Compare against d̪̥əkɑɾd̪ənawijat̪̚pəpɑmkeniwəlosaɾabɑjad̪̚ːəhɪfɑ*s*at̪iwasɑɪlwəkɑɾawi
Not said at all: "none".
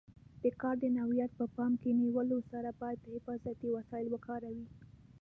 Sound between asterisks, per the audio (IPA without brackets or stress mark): z